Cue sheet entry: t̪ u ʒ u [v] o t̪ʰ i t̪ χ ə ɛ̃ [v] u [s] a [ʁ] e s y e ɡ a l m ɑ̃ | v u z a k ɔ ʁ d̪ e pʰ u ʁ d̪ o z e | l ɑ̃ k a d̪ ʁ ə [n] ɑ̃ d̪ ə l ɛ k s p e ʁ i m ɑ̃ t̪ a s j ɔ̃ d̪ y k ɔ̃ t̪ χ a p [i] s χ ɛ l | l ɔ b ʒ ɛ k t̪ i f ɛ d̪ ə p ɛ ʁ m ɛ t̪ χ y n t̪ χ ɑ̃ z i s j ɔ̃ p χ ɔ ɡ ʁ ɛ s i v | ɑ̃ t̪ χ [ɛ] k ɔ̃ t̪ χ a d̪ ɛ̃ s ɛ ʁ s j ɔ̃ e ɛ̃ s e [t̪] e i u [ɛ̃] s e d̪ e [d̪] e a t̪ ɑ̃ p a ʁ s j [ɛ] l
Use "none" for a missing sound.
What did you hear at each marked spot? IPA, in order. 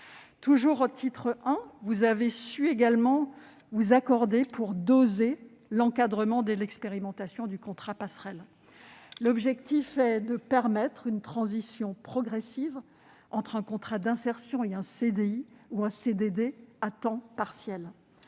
ʁ, v, z, v, m, a, ɛ̃, d̪, ɛ̃, d̪, ɛ

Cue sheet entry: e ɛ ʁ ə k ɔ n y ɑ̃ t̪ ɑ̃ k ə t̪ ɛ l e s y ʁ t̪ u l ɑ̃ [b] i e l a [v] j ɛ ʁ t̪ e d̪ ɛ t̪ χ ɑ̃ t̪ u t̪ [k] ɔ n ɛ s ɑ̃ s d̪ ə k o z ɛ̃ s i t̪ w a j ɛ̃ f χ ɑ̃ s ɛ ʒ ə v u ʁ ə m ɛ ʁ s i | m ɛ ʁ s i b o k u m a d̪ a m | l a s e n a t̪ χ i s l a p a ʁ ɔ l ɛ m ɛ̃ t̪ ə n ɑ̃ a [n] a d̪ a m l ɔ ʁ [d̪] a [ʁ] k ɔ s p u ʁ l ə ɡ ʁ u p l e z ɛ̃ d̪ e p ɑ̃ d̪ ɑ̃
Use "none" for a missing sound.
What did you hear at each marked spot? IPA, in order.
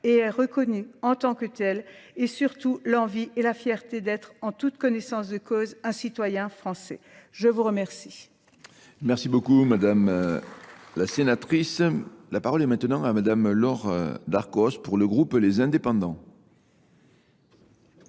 v, f, k, m, d̪, ʁ

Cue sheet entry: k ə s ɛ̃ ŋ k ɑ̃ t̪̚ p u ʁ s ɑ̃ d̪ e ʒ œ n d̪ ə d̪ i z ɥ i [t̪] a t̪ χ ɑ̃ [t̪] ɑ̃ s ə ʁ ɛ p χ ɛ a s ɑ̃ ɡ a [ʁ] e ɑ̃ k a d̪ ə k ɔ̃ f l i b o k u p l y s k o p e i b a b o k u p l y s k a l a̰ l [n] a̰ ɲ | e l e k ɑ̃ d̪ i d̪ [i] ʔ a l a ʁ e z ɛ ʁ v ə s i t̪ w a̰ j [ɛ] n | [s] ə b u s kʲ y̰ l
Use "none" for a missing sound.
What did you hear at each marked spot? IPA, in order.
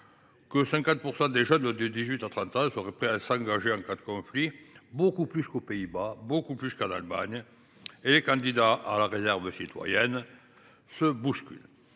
t̪, t̪, ʒ, m, a, ɛ, s

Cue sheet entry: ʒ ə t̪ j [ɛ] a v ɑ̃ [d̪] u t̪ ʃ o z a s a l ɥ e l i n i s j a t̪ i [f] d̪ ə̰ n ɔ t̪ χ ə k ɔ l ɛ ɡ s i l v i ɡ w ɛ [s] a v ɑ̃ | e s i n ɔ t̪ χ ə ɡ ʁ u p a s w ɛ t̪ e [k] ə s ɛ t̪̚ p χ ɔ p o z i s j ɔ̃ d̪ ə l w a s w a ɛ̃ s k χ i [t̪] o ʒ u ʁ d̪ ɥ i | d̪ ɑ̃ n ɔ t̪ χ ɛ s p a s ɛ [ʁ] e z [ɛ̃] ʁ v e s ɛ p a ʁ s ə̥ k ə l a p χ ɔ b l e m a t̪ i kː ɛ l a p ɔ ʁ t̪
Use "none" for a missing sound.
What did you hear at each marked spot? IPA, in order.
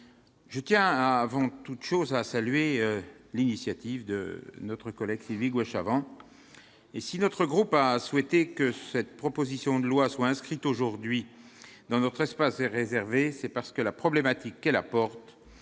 ɛ̃, t̪, v, ʃ, k, t̪, ʁ, ɛ

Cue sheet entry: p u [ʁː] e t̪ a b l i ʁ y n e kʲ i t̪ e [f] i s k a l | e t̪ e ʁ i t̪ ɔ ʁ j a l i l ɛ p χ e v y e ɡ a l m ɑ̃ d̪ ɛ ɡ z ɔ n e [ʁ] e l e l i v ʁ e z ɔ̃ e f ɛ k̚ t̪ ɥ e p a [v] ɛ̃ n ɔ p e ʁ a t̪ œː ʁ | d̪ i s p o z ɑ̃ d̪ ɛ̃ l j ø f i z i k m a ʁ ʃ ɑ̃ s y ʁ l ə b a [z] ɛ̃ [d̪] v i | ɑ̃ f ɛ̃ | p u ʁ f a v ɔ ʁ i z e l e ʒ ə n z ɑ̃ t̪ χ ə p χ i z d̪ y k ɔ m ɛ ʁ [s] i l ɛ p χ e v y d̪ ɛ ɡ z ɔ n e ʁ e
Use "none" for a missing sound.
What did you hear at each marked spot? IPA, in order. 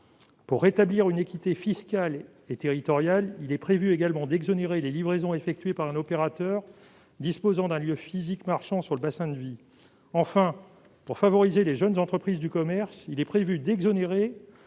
ʁː, f, ʁ, ʁ, s, d̪, s

